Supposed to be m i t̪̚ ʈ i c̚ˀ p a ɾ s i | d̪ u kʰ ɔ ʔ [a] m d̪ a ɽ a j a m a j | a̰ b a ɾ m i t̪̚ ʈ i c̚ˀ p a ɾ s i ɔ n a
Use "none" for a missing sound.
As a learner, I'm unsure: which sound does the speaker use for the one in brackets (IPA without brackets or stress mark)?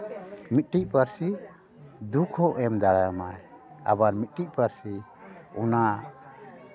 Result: ɛ